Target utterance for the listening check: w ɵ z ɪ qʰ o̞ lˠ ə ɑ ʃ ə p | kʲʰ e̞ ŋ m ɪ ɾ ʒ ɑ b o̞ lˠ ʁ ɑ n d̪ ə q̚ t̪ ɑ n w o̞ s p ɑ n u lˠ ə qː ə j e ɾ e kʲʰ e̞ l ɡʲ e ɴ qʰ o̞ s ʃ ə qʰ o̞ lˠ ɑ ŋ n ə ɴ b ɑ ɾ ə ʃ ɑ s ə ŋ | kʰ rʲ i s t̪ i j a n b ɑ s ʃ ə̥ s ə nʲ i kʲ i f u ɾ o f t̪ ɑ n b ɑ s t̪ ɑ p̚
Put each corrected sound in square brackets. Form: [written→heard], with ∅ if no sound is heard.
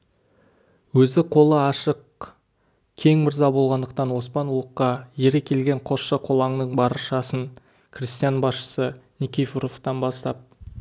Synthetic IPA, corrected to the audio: w ɵ z ɪ qʰ o̞ lˠ ə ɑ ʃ ə [p→q] | kʲʰ e̞ ŋ m ɪ ɾ [ʒ→z] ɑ b o̞ lˠ ʁ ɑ n d̪ ə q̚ t̪ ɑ n w o̞ s p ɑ n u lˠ ə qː [ə→ɑ] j e ɾ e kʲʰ e̞ l ɡʲ e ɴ qʰ o̞ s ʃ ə qʰ o̞ lˠ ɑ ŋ n ə ɴ b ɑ ɾ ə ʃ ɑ s ə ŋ | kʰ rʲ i s t̪ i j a n b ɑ s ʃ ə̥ s ə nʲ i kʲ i f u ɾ o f t̪ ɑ n b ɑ s t̪ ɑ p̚